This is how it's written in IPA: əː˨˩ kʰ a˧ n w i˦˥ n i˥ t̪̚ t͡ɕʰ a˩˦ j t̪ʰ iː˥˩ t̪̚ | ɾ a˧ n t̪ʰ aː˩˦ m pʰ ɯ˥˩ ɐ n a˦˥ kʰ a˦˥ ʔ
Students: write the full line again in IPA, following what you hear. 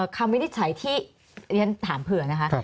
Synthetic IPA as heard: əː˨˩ kʰ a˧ m w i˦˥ n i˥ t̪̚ t͡ɕʰ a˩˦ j t̪ʰ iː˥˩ | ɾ i˧ n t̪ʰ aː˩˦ m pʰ ɯ˨˩ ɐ n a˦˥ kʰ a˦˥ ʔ